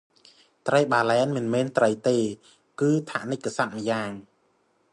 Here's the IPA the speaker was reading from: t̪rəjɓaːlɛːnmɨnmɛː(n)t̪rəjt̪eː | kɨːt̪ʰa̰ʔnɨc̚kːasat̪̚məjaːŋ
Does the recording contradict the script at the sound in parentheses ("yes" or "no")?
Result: no